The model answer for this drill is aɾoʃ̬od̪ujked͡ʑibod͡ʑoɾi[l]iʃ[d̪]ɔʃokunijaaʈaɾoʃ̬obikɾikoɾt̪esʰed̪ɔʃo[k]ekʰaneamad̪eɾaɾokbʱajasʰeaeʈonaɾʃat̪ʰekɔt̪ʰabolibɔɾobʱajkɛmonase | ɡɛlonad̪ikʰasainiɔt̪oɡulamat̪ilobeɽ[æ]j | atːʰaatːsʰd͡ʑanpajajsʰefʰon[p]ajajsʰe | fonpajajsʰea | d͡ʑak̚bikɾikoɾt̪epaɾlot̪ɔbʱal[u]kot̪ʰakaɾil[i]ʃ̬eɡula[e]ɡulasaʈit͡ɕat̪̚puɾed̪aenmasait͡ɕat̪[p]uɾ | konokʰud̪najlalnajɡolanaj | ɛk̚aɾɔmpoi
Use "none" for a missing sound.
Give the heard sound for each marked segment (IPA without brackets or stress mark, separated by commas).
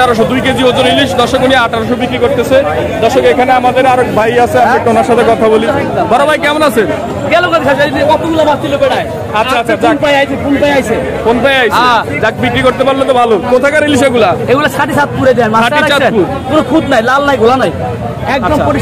l, d̪, k, a, p, o, i, e, p